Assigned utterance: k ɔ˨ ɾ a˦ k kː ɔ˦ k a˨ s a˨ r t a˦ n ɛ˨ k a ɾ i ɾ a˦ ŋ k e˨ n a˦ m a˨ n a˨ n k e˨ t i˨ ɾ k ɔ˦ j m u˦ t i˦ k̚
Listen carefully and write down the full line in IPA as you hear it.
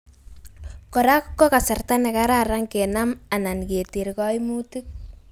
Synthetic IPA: k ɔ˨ ɾ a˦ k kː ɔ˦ k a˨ s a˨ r t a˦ n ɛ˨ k a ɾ a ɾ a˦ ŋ k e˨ n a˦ m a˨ n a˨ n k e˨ t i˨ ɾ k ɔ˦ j m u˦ t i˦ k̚